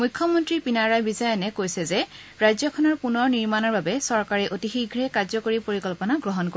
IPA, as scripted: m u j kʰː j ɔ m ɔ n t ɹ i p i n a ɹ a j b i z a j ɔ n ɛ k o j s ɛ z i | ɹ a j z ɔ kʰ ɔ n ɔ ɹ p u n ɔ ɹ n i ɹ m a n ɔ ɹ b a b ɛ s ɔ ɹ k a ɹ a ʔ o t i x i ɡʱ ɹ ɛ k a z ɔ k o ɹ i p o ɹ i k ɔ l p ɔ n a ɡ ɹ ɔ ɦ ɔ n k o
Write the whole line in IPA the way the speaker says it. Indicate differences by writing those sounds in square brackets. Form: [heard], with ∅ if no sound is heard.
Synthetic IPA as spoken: m u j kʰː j ɔ m ɔ n t ɹ i p i n a ɹ a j b i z a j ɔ n ɛ k o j s ɛ z [ɛ] | ɹ a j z ɔ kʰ ɔ n ɔ ɹ p u n ɔ ɹ n i ɹ m a n ɔ ɹ b a b ɛ s ɔ ɹ k a ɹ [ɛ] ʔ o t i x i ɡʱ ɹ ɛ k a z ɔ k o ɹ i p o ɹ i k ɔ l p ɔ n a ɡ ɹ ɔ ɦ ɔ n k o